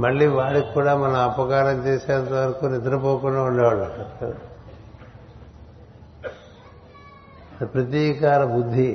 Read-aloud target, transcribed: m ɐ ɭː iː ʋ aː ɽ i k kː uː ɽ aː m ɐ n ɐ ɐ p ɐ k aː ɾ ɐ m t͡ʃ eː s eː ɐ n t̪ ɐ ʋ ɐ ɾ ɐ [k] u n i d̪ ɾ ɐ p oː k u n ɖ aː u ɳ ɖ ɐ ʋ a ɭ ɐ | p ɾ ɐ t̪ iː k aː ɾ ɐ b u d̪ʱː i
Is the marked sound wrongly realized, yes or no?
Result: no